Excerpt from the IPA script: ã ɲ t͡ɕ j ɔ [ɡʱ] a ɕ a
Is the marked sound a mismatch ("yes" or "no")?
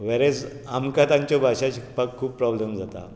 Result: yes